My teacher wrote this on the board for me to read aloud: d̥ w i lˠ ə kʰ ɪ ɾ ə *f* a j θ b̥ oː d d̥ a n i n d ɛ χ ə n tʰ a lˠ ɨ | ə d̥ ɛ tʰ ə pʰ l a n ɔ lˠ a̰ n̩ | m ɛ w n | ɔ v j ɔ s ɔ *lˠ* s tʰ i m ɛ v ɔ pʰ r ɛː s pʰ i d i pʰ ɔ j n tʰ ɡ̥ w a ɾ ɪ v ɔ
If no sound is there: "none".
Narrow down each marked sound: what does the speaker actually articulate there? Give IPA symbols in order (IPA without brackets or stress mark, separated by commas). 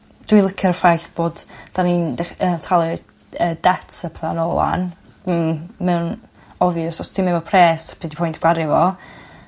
f, none